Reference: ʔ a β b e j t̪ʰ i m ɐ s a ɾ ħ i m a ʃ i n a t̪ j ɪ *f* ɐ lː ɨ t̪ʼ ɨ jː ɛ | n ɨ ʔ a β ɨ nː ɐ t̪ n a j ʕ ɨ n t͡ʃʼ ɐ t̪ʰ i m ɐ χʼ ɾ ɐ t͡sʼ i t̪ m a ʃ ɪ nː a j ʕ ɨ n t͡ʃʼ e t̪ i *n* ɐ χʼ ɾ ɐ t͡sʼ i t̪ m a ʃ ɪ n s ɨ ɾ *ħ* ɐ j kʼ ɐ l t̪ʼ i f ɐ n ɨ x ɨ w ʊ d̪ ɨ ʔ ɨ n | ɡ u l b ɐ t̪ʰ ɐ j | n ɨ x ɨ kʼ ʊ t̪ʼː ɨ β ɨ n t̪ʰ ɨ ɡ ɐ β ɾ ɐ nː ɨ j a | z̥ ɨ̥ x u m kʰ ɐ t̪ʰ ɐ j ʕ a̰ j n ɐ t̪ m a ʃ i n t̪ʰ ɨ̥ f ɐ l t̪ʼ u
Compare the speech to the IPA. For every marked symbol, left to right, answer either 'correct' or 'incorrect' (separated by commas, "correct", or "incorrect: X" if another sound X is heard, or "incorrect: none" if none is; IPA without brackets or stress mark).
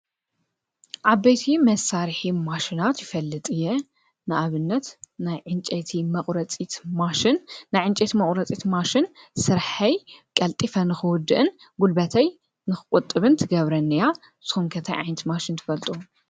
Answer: correct, incorrect: m, correct